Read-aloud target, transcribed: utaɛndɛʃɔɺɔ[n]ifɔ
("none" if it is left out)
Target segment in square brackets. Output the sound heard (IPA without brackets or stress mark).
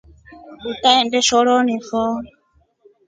n